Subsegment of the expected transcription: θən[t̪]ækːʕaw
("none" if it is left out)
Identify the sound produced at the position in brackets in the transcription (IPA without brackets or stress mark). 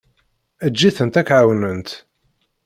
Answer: t̪